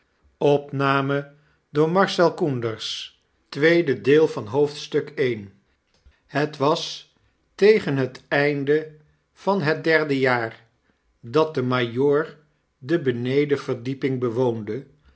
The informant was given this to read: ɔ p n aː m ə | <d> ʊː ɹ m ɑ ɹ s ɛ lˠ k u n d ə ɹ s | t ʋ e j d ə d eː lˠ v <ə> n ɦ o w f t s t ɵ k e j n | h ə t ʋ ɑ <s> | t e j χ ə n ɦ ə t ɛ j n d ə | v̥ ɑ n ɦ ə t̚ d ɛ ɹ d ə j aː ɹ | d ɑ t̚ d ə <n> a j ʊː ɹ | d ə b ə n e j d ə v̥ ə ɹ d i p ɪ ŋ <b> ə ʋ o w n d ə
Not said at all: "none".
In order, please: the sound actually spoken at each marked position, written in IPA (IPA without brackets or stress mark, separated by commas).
d, ɑ, s, m, b